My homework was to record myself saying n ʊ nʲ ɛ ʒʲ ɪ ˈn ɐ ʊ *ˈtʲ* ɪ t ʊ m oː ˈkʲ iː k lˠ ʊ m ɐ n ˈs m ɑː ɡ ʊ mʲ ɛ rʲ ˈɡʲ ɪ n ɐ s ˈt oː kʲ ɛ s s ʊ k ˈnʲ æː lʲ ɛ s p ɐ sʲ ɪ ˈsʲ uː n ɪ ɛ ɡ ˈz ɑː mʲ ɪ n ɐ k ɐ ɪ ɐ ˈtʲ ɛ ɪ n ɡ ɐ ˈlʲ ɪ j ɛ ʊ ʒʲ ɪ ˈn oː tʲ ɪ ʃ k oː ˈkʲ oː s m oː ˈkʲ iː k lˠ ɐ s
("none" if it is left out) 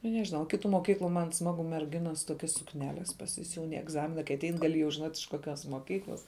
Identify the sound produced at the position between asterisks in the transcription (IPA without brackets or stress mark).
kʲ